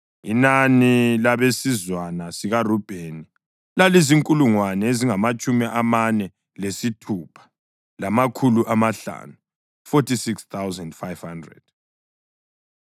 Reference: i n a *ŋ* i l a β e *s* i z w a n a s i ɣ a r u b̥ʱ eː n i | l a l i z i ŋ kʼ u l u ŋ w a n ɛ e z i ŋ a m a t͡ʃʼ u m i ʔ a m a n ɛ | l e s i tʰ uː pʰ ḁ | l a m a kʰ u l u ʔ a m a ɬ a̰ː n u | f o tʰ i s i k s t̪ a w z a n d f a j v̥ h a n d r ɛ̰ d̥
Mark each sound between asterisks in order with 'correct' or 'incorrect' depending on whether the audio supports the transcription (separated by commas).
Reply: incorrect, correct